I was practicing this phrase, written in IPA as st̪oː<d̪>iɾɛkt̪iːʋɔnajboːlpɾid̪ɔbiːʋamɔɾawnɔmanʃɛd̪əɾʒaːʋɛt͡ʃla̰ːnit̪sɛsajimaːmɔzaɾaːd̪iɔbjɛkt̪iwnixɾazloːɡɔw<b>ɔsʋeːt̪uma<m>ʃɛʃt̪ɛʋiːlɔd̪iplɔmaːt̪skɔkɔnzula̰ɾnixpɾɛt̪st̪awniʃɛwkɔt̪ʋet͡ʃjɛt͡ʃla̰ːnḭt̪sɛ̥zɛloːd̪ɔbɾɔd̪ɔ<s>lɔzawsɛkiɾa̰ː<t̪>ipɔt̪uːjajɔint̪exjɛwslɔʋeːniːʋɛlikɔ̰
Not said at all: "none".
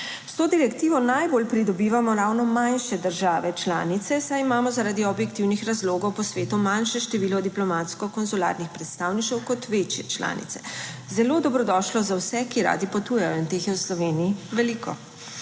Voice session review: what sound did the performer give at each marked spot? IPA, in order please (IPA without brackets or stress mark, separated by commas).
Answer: d̪, p, n, ʃ, d̪